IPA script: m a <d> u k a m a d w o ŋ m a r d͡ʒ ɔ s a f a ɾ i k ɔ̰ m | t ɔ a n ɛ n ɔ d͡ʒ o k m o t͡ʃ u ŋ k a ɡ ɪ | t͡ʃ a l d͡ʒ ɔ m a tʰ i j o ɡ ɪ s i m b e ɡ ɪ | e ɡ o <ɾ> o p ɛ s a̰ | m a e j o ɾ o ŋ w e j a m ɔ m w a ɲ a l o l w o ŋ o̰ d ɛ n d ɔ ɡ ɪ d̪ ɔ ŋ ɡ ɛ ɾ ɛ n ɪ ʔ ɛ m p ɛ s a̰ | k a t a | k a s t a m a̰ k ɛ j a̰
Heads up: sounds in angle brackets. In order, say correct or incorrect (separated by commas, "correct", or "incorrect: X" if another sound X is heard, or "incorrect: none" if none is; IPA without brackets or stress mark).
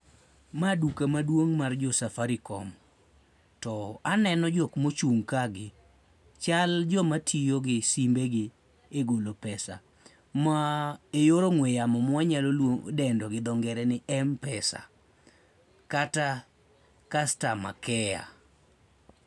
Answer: correct, incorrect: l